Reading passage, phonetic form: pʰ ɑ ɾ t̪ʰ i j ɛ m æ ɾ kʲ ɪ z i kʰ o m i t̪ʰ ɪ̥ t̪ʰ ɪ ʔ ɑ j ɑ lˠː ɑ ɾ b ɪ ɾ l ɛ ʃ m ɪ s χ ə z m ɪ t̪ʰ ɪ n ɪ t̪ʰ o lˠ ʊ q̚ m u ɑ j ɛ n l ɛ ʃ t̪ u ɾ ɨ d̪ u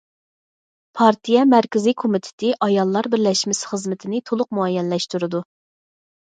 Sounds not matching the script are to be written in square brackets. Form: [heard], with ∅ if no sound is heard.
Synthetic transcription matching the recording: pʰ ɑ ɾ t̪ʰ i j ɛ m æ ɾ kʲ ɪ z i kʰ o m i t̪ʰ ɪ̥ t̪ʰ ɪ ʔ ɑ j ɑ lˠː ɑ ɾ b ɪ ɾ l ɛ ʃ m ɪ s χ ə z m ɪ t̪ʰ ɪ n ɪ t̪ʰ o lˠ ʊ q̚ m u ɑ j ɛ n l ɛ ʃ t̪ u ɾ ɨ d̪ u